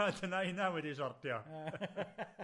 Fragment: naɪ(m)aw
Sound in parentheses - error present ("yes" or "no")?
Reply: yes